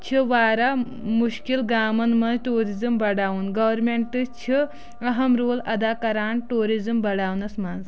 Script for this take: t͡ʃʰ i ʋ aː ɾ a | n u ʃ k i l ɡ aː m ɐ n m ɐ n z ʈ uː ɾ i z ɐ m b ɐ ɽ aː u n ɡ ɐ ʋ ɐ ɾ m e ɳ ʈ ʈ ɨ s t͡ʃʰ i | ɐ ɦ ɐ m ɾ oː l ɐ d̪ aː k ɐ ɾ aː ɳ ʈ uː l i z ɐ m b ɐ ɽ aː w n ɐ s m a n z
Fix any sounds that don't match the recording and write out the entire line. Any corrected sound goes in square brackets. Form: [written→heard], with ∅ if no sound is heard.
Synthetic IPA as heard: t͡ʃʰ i ʋ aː ɾ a | [n→m] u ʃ k i l ɡ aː m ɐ n m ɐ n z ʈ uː ɾ i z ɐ m b ɐ ɽ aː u n ɡ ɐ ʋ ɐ ɾ m e ɳ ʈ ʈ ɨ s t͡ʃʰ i | ɐ ɦ ɐ m ɾ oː l ɐ d̪ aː k ɐ ɾ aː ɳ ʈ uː [l→ɾ] i z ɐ m b ɐ ɽ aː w n ɐ s m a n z